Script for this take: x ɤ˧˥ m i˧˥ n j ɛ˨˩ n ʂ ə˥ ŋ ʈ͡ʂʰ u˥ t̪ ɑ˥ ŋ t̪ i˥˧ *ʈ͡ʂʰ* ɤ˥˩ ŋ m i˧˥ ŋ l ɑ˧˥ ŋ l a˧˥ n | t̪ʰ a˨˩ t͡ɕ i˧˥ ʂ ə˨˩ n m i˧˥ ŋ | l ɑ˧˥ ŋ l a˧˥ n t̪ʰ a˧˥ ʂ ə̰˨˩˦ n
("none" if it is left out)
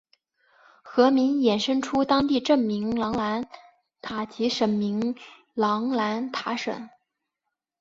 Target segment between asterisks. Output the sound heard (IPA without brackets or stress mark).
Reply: ʈ͡ʂ